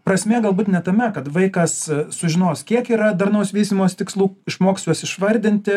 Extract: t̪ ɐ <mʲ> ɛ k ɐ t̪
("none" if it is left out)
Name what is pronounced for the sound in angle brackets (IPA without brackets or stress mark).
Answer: mʲ